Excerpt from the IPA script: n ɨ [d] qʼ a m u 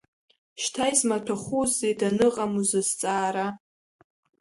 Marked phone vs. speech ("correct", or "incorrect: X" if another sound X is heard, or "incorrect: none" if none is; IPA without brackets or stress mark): incorrect: none